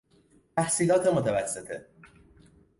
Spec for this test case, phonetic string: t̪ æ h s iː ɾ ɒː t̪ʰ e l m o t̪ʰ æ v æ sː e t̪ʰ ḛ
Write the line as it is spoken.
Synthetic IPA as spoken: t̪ æ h s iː l ɒː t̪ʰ e m o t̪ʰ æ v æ sː e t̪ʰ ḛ